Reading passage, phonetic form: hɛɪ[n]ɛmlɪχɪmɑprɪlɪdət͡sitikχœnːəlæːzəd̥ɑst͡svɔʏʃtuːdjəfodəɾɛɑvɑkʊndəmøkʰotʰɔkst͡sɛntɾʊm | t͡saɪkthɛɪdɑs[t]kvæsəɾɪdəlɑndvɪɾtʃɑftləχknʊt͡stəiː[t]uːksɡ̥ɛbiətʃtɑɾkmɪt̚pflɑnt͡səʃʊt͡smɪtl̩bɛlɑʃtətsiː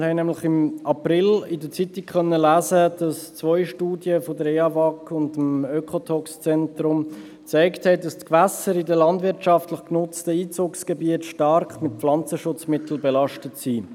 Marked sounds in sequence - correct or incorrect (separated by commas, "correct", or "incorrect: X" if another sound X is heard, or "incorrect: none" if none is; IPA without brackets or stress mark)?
correct, correct, incorrect: t͡s